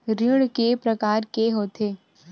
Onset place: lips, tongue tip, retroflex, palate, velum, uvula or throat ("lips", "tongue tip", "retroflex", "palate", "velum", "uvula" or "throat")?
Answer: tongue tip